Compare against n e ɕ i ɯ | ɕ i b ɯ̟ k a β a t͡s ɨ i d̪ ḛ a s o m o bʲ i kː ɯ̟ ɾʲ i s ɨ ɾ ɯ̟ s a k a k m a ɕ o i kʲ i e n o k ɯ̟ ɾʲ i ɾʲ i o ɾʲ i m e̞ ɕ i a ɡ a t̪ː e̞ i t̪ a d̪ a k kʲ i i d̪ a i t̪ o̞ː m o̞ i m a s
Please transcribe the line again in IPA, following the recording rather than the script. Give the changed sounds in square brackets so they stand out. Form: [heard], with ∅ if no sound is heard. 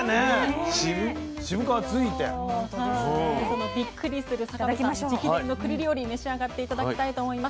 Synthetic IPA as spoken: n e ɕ i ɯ | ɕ i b ɯ̟ k a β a t͡s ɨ i [t̪] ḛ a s o [n] o bʲ i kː ɯ̟ ɾʲ i s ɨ ɾ ɯ̟ s a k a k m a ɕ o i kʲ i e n o k ɯ̟ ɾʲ i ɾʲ i o ɾʲ i m e̞ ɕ i a ɡ a t̪ː e̞ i t̪ a d̪ a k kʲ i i [t̪] a i t̪ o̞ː m o̞ i m a s